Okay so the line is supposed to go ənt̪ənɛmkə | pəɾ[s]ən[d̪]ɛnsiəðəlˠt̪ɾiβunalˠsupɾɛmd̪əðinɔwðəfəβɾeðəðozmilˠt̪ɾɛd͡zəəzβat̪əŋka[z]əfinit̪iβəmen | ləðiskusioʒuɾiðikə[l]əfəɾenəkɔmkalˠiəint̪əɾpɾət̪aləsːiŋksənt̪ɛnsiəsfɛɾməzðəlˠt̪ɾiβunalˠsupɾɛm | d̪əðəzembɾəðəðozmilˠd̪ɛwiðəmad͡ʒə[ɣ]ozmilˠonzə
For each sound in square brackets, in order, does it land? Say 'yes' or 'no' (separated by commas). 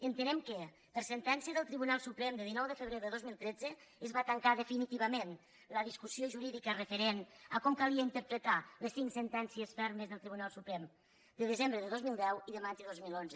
yes, no, no, no, no